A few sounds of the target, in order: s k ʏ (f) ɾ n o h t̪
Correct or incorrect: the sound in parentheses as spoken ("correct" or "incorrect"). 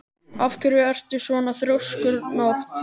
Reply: incorrect